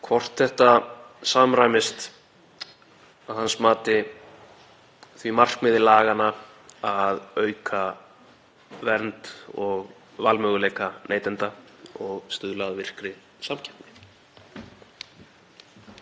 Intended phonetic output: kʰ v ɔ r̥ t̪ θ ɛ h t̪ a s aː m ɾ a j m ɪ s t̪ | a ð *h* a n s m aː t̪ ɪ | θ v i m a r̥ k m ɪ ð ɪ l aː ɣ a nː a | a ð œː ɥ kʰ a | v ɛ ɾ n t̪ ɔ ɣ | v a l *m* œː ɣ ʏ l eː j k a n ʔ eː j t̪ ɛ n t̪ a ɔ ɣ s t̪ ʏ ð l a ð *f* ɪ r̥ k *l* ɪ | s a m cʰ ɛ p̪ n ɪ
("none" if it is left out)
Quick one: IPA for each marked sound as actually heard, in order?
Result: h, m, v, ɾ

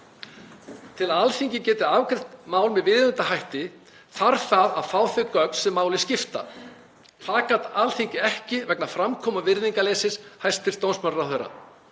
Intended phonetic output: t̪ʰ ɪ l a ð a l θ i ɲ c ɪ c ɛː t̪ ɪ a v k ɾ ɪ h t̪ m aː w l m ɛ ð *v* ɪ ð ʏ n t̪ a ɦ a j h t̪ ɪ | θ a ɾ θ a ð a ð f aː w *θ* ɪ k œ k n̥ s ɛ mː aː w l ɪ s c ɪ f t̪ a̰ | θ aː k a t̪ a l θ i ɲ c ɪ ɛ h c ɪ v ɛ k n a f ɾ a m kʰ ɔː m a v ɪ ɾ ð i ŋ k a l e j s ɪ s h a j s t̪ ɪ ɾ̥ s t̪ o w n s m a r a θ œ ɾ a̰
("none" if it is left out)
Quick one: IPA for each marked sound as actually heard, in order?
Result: v, θ

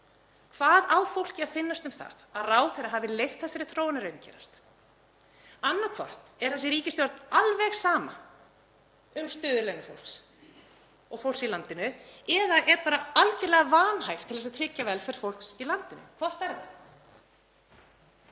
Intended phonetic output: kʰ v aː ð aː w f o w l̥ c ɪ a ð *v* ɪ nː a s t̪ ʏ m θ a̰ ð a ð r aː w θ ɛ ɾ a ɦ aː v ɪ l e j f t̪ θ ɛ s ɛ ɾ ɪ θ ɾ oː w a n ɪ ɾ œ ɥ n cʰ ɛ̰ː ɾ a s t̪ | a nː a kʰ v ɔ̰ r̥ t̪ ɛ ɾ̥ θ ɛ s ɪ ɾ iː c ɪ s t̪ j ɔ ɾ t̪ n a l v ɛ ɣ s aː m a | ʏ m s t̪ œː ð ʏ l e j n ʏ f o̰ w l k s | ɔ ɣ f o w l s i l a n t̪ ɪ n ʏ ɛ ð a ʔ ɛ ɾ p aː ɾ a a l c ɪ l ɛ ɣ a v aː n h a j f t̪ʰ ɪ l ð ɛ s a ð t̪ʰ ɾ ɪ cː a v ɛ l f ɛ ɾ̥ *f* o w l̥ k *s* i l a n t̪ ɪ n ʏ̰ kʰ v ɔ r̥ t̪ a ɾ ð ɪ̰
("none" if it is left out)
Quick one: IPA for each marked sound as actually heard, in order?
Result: f, f, s

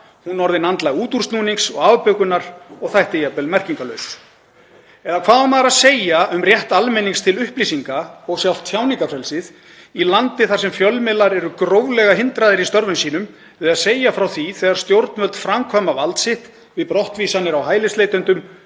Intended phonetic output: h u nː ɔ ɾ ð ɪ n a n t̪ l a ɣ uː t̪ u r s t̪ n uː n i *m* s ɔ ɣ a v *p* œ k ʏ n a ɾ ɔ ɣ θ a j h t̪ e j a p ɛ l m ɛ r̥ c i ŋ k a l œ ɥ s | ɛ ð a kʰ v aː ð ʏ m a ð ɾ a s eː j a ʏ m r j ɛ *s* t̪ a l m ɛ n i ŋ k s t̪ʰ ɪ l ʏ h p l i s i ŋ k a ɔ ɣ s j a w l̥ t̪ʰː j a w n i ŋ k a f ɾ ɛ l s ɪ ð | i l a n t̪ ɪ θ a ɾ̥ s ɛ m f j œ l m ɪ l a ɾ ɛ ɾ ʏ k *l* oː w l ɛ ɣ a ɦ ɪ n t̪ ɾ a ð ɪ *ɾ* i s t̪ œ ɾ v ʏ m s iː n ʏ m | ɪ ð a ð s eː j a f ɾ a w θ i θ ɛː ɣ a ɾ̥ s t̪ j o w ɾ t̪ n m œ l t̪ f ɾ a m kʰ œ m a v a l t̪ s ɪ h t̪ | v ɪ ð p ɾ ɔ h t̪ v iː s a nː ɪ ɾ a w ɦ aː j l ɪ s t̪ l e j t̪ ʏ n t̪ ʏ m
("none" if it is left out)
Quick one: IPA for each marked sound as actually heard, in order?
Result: ŋ, p, h, ɾ, ɾ

